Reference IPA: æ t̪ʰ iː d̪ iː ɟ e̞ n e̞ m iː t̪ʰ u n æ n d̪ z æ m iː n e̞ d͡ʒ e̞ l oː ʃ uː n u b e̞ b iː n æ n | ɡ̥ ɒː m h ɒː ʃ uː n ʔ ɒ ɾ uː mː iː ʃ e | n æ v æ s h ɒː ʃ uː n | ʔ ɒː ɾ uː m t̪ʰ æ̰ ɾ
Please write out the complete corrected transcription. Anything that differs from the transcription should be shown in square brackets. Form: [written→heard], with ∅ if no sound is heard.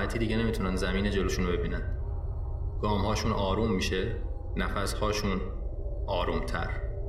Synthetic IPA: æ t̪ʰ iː d̪ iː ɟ e̞ n e̞ m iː t̪ʰ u n æ n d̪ z æ m iː n e̞ d͡ʒ e̞ l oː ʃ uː n [u→o] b e̞ b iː n æ n | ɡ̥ ɒː m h ɒː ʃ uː n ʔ [ɒ→ɒː] ɾ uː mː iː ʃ e | n æ [v→f] æ s h ɒː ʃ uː n | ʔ ɒː ɾ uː m t̪ʰ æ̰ ɾ